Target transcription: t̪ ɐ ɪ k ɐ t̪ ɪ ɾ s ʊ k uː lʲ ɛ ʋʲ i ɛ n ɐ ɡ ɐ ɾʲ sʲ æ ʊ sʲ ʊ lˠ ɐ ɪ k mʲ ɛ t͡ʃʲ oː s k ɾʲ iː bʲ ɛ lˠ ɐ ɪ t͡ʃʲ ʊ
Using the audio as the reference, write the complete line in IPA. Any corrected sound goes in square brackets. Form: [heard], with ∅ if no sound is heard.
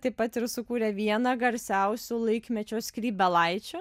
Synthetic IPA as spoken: t̪ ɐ ɪ [p] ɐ t̪ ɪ ɾ s ʊ k uː [ɾʲ] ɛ ʋʲ i ɛ n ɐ ɡ ɐ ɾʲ sʲ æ ʊ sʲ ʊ lˠ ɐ ɪ k mʲ ɛ t͡ʃʲ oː s k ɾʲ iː bʲ ɛ lˠ ɐ ɪ t͡ʃʲ ʊ